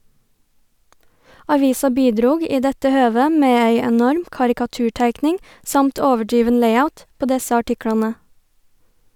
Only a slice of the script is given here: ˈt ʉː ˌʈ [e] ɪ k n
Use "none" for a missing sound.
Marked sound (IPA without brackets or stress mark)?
æ